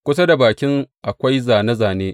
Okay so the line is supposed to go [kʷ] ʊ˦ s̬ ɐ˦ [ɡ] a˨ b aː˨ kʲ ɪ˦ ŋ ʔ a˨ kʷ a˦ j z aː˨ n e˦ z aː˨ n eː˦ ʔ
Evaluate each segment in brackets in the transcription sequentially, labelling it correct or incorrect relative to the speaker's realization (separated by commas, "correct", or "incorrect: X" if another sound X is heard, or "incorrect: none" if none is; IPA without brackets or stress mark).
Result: correct, incorrect: d